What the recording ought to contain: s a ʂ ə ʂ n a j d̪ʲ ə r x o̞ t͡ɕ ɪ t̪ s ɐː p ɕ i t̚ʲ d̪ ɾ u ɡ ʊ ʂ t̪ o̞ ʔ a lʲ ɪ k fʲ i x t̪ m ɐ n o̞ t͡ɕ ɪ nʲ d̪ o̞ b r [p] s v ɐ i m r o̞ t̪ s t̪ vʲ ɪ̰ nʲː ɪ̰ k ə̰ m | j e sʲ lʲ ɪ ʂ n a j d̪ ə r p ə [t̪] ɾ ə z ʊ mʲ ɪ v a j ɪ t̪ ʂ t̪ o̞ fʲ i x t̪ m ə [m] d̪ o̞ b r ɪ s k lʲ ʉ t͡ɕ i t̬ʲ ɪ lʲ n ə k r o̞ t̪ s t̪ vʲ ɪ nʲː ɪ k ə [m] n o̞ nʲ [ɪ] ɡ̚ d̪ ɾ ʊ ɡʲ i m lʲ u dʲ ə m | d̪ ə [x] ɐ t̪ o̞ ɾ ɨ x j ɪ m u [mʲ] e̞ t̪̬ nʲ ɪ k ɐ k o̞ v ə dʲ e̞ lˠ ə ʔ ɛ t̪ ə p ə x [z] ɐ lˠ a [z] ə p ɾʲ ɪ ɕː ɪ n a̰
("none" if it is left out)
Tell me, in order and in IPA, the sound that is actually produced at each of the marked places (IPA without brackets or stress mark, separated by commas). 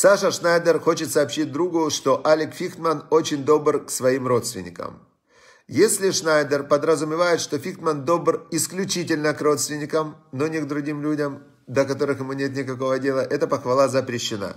k, d̪, n, m, ɪ, k, nʲ, v, z